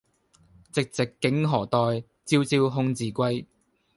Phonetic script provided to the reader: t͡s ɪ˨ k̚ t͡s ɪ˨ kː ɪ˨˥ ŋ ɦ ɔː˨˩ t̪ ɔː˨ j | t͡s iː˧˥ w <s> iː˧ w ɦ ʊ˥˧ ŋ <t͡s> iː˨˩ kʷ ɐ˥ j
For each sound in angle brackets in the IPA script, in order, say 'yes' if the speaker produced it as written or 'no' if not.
no, yes

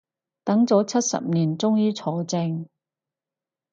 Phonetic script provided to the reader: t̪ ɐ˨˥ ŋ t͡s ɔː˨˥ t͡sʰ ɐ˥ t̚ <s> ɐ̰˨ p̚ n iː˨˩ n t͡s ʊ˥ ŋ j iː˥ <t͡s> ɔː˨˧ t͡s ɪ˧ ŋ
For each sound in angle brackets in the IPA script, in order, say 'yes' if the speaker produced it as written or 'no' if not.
yes, no

